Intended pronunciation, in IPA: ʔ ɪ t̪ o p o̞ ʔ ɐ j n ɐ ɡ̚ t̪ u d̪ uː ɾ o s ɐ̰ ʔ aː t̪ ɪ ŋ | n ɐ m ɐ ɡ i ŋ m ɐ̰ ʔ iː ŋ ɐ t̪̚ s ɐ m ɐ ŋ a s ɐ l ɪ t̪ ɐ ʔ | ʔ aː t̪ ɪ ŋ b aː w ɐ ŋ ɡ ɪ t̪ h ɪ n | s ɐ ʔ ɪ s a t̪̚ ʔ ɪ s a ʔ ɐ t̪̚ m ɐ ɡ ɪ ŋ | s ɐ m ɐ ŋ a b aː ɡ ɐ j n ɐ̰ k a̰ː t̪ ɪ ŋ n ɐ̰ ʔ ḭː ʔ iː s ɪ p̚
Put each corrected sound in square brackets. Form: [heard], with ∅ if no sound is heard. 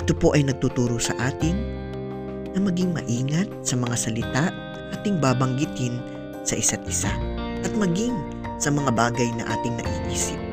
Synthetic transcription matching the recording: ʔ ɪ t̪ o p o̞ ʔ ɐ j n ɐ ɡ̚ t̪ u [t̪] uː ɾ o s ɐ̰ ʔ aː t̪ ɪ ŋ | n ɐ m ɐ ɡ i ŋ m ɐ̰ ʔ iː ŋ ɐ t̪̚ s ɐ m ɐ ŋ a s ɐ l ɪ t̪ [a] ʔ | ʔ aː t̪ ɪ ŋ b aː [b] ɐ ŋ ɡ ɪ t̪ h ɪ n | s ɐ ʔ ɪ s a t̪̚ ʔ ɪ s a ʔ ɐ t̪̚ m ɐ ɡ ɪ ŋ | s ɐ m ɐ ŋ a b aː ɡ ɐ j n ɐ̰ [ʔ] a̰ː t̪ ɪ ŋ n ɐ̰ ʔ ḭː ʔ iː s ɪ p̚